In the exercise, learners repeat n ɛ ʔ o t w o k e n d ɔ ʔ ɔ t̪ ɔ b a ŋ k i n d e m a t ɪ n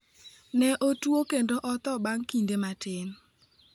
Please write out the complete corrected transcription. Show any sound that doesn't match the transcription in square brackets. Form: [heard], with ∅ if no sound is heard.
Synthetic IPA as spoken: n ɛ ʔ o t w o k e n d [o] ʔ ɔ t̪ ɔ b a ŋ k i n d e m a t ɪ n